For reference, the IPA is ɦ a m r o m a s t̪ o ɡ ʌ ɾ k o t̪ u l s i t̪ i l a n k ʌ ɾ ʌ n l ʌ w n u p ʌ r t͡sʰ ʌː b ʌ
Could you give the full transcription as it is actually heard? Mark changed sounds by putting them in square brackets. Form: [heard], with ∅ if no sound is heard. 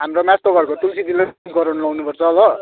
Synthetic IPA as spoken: ɦ a m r o m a s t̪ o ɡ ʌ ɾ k o t̪ u l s i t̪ i l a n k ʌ ɾ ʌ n l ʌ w n u p ʌ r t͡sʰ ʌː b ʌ